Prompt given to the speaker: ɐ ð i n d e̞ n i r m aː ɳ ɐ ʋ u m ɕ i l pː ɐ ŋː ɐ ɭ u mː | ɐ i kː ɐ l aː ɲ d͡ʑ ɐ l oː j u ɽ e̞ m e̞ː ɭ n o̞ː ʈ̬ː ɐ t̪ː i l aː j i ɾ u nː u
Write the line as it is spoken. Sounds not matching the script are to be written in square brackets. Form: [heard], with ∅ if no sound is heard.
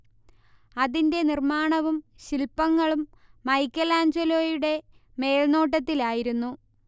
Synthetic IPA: ɐ ð i n d e̞ n i r m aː ɳ ɐ ʋ u m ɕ i l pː ɐ ŋː ɐ ɭ u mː | ɐ [j] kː ɐ l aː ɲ d͡ʑ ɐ l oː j u ɽ e̞ m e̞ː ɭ n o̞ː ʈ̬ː ɐ t̪ː i l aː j i ɾ u nː u